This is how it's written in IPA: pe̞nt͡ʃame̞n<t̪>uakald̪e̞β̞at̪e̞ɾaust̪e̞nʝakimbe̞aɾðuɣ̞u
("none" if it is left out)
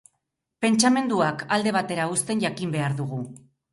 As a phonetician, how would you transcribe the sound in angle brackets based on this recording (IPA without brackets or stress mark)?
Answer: d̪